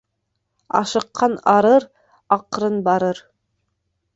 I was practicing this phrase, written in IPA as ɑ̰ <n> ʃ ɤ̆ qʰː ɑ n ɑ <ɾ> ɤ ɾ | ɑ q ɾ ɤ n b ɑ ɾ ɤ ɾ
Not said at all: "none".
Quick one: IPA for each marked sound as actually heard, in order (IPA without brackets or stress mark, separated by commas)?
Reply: none, ɾ